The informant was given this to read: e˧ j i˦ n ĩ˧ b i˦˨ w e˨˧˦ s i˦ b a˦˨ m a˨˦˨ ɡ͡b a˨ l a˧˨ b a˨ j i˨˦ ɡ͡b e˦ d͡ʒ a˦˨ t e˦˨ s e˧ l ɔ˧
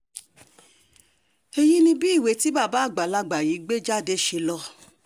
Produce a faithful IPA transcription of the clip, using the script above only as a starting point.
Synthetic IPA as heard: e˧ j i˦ n ĩ˧ b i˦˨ w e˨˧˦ t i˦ b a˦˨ b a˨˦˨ ɡ͡b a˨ l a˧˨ ɡ͡b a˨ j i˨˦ ɡ͡b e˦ d͡ʒ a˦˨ d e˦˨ ʃ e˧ l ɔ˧